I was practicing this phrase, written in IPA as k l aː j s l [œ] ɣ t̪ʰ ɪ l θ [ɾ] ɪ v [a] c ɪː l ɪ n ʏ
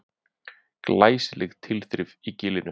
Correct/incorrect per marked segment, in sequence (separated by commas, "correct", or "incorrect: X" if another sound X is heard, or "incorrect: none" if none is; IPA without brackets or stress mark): incorrect: ɛ, correct, incorrect: i